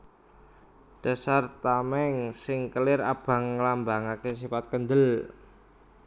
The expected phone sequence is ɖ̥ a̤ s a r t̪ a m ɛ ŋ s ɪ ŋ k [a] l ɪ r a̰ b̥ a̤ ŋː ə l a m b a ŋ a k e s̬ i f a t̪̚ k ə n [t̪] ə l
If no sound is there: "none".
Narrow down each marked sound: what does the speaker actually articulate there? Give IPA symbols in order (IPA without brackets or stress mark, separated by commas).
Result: ə, d̪